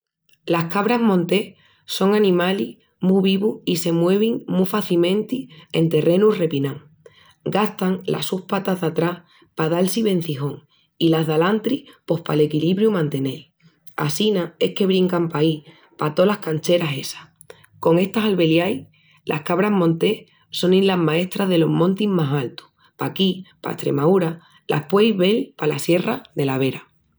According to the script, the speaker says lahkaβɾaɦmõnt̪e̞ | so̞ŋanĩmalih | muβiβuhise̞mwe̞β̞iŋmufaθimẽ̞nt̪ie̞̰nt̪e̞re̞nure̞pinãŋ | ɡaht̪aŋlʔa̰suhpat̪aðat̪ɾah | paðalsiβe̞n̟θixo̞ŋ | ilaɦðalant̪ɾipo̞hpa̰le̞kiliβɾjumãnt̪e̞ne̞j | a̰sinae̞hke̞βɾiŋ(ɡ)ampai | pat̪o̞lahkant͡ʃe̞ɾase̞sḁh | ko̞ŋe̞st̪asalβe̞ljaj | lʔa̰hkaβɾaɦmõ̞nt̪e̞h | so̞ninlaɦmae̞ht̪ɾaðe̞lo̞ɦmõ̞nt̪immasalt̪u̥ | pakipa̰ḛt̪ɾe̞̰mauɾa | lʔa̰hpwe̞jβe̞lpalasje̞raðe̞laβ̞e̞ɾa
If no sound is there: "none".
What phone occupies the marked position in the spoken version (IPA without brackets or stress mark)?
k